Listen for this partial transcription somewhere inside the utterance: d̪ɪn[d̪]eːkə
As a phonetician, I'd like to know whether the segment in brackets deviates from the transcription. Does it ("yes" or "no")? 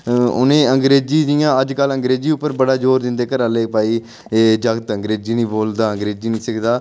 no